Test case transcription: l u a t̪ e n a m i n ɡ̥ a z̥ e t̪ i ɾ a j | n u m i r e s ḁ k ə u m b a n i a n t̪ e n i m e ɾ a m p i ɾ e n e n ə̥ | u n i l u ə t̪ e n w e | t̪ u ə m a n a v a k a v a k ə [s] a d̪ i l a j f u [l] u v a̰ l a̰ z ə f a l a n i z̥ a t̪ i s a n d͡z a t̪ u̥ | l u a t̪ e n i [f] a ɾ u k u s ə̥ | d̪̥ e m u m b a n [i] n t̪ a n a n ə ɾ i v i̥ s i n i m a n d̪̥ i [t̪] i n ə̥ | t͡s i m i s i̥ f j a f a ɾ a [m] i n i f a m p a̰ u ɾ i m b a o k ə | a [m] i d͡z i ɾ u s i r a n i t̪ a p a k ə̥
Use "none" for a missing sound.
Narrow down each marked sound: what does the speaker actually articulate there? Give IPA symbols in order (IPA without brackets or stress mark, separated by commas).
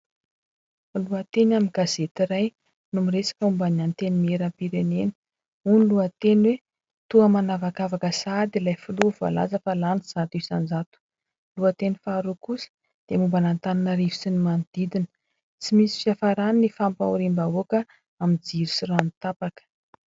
s, l, f, a, d̪, n, m